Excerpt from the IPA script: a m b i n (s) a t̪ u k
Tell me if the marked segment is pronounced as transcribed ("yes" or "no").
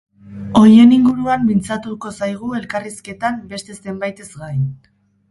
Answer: no